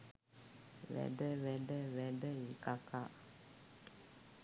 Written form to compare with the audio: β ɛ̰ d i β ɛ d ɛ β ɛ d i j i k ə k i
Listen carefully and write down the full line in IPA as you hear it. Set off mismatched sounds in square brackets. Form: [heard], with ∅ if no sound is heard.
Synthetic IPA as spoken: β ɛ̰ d [ɛ] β ɛ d ɛ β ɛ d [ɛ] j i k [a] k [a]